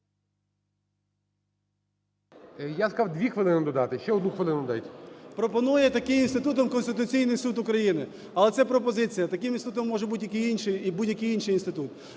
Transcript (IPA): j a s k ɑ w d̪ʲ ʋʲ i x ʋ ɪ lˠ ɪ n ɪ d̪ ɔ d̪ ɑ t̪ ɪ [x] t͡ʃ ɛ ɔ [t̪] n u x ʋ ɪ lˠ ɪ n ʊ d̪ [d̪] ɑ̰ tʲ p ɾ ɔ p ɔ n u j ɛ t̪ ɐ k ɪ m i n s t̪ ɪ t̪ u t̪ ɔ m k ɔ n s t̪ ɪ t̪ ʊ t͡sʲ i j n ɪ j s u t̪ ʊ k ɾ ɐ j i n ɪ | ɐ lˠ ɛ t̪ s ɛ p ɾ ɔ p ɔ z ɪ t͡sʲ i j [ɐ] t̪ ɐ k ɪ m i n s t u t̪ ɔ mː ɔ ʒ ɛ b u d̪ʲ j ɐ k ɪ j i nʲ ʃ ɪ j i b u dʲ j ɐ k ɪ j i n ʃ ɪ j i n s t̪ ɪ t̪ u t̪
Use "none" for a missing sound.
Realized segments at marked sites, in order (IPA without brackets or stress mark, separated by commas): ʃ, d̪, d̪, ɐ